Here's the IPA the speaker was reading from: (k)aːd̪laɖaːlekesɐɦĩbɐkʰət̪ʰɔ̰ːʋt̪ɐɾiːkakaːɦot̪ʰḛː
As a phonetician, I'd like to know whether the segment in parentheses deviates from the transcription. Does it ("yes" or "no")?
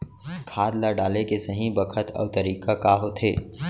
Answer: yes